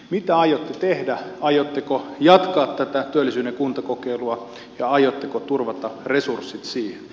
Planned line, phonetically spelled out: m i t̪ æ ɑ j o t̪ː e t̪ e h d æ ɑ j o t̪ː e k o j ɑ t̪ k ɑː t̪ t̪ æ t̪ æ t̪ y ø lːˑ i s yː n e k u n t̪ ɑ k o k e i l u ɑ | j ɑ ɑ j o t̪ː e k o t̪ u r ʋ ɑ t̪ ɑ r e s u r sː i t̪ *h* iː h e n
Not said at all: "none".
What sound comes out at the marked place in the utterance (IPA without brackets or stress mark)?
s